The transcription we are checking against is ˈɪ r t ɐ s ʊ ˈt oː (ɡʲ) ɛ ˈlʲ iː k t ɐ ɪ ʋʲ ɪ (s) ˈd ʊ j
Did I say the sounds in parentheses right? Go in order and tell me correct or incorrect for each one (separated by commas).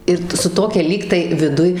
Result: incorrect, incorrect